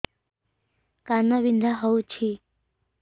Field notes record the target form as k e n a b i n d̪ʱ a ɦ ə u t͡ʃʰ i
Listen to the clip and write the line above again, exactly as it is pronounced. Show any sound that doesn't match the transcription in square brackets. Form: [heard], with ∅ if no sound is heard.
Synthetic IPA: k [a] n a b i n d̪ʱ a ɦ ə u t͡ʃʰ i